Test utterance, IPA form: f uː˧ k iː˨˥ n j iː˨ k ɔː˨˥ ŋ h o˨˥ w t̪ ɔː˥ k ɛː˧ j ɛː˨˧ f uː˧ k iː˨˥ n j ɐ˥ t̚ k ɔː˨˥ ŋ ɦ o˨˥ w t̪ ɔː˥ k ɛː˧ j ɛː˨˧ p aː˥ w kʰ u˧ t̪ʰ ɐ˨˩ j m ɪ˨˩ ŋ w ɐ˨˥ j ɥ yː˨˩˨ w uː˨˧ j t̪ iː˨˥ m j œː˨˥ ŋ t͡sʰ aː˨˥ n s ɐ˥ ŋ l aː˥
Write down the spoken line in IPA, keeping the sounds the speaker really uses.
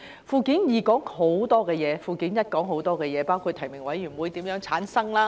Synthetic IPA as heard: f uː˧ k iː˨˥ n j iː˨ k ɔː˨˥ ŋ h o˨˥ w t̪ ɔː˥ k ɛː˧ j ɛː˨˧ f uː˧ k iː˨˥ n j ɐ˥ t̚ k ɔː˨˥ ŋ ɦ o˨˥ w t̪ ɔː˥ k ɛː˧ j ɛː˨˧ p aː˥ w kʰ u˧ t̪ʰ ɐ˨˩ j m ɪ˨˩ ŋ w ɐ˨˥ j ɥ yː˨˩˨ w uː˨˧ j t̪ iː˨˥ m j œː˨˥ ŋ t͡sʰ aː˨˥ n s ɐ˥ ŋ l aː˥